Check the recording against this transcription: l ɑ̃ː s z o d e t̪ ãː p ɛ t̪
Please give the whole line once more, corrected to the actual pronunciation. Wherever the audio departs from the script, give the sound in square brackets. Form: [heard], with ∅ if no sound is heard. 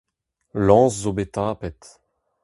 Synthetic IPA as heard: l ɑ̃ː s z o [b] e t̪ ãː p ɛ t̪